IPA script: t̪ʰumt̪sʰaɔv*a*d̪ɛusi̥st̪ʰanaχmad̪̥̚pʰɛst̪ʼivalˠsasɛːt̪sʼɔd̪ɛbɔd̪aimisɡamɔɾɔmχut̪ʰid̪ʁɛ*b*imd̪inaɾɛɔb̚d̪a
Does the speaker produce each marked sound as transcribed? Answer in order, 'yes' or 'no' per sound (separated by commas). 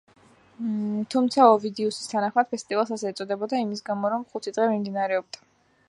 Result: no, no